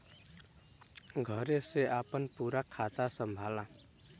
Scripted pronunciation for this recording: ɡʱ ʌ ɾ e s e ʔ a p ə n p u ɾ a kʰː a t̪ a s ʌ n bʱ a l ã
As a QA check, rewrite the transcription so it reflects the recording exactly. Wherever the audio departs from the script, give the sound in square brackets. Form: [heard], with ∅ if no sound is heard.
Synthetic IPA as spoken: ɡʱ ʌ ɾ e s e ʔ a p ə n p u ɾ a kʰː a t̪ a s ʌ [m] bʱ a l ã